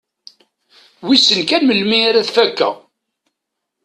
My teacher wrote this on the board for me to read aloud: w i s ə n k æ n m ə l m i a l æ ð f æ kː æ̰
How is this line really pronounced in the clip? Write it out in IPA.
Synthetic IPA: w i s ə n k æ n m ə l m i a ɾ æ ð f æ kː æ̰